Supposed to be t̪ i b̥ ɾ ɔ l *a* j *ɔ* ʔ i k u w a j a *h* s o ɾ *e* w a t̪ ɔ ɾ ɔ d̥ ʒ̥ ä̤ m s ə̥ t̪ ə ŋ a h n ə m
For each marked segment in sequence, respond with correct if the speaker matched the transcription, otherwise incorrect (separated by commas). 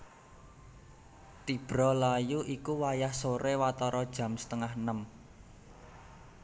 correct, incorrect, correct, correct